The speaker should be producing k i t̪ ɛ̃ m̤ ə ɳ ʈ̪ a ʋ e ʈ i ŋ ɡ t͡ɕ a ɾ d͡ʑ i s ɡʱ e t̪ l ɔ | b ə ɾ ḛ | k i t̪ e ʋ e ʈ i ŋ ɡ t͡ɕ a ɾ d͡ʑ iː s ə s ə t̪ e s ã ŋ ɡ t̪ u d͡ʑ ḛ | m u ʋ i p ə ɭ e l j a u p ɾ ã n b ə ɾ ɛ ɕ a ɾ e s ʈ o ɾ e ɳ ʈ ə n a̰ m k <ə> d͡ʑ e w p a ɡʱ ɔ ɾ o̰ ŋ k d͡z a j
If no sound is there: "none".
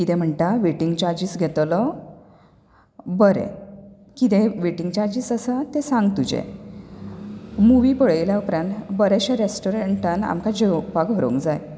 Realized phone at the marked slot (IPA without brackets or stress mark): a